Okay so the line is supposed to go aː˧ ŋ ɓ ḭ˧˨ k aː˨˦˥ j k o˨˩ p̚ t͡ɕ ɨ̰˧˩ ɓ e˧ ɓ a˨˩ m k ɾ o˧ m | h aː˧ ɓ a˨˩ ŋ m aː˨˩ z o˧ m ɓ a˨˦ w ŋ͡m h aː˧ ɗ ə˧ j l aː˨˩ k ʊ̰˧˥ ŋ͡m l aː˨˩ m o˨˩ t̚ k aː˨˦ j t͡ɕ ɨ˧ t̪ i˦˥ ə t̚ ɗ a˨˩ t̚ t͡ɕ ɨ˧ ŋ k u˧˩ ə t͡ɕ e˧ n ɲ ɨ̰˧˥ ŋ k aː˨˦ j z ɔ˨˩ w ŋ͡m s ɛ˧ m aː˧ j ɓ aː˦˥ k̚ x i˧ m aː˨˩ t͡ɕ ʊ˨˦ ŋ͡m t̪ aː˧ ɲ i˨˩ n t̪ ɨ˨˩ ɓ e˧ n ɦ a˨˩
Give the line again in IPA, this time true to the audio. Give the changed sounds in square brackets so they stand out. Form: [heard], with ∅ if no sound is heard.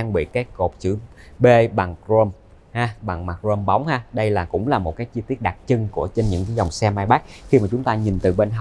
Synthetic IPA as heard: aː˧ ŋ ɓ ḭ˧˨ k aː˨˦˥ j k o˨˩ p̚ t͡ɕ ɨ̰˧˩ ɓ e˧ ɓ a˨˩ [ŋ] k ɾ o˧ m | h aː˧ ɓ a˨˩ ŋ m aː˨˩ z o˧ m ɓ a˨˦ w ŋ͡m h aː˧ ɗ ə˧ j l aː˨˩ k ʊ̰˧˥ ŋ͡m l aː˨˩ m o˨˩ t̚ k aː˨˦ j t͡ɕ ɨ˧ t̪ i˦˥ ə t̚ ɗ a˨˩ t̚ t͡ɕ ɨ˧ ŋ k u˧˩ ə t͡ɕ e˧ n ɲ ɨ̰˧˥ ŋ k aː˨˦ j z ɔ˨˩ w ŋ͡m s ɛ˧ m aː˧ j ɓ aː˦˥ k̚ x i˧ m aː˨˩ t͡ɕ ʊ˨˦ ŋ͡m t̪ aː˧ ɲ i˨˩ n t̪ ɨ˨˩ ɓ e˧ n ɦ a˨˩